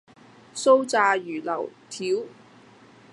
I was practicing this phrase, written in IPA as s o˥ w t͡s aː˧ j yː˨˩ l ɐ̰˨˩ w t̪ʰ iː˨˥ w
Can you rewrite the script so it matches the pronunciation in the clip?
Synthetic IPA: s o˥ w t͡s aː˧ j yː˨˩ l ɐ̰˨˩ w t̪ʰ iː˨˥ w